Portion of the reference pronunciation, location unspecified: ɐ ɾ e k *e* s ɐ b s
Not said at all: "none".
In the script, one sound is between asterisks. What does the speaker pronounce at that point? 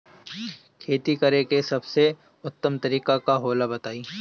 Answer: e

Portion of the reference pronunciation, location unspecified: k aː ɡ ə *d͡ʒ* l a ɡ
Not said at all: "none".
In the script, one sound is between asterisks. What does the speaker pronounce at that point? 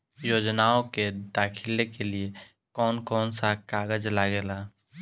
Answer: d͡ʒ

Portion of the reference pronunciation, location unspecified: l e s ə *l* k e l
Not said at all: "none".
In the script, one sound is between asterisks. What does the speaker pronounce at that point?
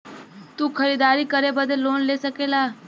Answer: none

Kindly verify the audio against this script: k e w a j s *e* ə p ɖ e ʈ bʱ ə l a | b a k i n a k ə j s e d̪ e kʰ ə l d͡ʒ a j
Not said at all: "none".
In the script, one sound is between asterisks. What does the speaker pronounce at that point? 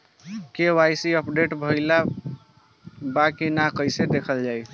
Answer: i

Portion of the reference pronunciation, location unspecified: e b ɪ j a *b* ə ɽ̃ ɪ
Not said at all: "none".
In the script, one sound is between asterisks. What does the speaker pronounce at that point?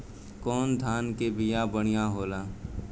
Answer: b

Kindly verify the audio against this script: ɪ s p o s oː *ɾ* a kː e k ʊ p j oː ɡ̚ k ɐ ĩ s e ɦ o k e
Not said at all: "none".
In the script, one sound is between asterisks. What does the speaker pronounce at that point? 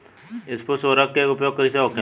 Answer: ɾ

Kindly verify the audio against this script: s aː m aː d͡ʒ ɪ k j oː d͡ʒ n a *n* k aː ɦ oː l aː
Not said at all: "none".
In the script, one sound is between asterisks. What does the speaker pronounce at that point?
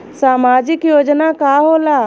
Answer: none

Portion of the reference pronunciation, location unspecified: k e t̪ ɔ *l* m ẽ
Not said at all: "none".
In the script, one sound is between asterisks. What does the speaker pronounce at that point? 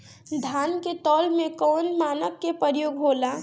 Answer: l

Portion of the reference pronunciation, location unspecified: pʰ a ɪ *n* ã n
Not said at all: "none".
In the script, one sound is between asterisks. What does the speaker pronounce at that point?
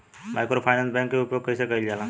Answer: n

